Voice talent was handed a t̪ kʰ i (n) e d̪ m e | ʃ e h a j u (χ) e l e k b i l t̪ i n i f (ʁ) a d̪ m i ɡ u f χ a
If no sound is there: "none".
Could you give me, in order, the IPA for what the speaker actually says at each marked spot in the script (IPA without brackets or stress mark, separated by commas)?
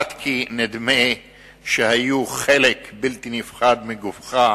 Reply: n, χ, χ